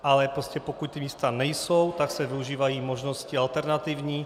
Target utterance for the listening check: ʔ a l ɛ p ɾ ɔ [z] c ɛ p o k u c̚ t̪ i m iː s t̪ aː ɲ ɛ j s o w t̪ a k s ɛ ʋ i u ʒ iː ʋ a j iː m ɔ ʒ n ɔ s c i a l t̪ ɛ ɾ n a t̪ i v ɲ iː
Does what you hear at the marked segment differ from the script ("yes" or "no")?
yes